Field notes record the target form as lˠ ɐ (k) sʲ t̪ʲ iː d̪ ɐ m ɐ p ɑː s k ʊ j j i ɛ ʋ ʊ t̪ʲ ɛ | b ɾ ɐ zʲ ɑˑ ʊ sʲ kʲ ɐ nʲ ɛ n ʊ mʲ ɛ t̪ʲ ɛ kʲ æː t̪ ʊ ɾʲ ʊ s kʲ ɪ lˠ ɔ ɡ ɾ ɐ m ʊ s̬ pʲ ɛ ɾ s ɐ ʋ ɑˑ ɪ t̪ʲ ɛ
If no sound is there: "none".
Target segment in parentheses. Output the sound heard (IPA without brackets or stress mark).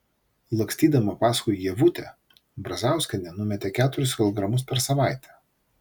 k